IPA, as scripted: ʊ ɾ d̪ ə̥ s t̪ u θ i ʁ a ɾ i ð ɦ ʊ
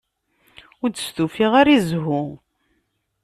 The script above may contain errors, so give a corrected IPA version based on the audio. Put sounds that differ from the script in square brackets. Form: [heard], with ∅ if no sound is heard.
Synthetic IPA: ʊ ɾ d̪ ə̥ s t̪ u [f] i ʁ a ɾ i [z] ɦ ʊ